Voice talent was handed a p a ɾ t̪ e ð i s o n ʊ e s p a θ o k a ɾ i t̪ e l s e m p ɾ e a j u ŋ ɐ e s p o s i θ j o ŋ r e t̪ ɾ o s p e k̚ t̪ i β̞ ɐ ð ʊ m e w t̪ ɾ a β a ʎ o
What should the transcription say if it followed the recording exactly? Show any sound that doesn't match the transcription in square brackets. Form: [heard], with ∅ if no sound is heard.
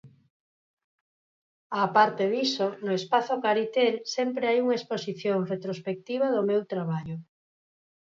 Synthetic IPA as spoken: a p a ɾ t̪ e ð i s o n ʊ e s p a θ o k a ɾ i t̪ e l s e m p ɾ e a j u ŋ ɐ e s p o s i θ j o ŋ r e t̪ ɾ o s p e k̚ t̪ i β̞ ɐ ð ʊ m e w t̪ ɾ a β a ʎ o